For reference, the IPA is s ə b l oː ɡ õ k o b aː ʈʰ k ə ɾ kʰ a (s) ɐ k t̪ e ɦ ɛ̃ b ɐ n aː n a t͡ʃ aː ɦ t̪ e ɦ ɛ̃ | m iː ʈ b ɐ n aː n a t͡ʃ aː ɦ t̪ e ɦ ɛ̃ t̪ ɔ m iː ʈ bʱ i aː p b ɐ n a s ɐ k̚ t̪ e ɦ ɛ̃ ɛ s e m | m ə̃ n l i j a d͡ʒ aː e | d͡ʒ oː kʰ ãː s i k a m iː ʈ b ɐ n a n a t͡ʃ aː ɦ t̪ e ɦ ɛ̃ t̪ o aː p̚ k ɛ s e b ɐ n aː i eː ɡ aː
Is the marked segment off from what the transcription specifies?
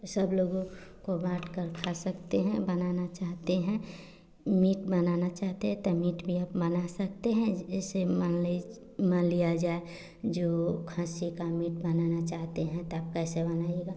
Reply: no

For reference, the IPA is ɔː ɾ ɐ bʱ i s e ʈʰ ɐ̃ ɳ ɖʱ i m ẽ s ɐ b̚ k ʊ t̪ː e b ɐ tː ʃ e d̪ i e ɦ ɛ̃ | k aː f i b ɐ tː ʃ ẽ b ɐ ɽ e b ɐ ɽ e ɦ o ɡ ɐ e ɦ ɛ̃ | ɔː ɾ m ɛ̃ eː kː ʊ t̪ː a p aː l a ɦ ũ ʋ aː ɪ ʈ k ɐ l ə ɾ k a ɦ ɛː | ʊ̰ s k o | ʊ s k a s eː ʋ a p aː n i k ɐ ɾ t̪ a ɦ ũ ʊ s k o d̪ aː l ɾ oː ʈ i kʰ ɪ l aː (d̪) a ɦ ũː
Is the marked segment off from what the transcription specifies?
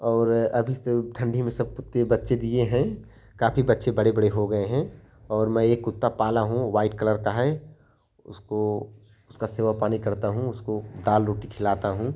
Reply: yes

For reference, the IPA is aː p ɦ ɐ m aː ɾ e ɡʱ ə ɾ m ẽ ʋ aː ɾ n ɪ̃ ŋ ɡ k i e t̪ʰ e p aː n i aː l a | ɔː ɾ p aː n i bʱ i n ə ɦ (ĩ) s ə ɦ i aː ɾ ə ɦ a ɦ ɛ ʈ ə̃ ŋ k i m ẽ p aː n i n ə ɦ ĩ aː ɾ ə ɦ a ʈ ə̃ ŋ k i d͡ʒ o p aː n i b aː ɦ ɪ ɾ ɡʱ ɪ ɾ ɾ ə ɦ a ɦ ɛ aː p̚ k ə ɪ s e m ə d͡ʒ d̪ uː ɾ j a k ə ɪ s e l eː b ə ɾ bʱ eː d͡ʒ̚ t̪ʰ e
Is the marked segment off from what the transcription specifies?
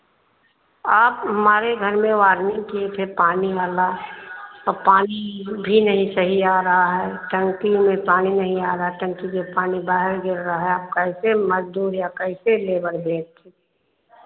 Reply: no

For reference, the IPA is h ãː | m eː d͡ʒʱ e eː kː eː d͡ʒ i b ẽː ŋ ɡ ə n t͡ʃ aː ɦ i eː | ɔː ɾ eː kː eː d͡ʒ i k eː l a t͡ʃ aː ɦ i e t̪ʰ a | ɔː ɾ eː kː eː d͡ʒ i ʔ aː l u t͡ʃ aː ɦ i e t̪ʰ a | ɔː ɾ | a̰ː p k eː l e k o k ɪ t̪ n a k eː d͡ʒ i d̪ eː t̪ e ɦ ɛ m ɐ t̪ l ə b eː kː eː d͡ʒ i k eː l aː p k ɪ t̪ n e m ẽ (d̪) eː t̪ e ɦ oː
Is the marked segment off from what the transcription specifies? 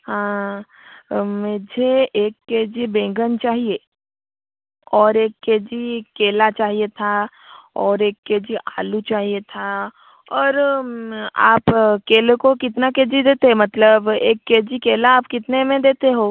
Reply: no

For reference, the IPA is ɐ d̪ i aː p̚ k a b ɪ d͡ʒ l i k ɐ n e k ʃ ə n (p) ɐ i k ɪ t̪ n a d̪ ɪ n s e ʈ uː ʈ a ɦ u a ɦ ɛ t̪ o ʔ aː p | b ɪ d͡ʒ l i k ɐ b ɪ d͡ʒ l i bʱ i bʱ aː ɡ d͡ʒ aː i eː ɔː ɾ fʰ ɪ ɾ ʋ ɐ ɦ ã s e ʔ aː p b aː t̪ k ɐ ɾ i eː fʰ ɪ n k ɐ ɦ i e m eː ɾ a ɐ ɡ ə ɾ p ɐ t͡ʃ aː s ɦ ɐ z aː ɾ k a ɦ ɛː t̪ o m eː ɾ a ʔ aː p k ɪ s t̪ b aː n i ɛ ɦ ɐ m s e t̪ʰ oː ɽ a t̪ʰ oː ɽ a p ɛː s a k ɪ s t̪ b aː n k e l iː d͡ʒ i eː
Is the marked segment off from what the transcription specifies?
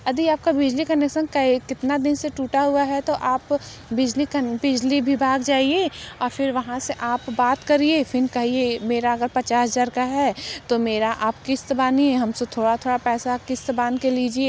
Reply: yes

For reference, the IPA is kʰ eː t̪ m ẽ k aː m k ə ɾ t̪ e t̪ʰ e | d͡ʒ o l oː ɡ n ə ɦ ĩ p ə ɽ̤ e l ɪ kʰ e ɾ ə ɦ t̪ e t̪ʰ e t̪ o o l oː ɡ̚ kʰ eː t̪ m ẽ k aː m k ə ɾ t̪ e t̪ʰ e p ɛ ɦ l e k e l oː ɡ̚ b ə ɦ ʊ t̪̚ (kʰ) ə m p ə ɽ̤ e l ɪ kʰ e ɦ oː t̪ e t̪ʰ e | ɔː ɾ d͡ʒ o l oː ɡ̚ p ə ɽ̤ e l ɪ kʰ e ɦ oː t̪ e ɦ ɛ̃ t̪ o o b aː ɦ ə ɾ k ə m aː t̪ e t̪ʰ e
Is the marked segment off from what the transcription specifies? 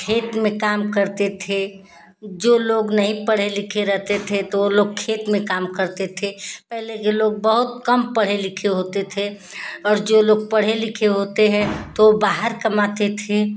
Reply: yes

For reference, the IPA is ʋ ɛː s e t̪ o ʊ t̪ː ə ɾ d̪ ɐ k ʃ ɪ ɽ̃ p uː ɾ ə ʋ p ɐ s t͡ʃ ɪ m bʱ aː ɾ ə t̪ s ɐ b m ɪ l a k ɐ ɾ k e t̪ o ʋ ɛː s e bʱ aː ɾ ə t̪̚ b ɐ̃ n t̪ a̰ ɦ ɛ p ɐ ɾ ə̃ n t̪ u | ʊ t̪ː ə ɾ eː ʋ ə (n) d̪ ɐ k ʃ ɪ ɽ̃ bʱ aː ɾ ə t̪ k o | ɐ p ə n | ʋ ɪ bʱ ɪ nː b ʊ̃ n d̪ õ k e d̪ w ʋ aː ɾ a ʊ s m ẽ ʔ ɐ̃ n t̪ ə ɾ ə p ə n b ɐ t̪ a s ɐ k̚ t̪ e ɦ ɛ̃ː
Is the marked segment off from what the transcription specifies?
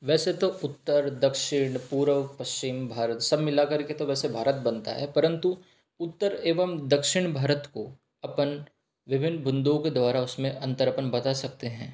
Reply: yes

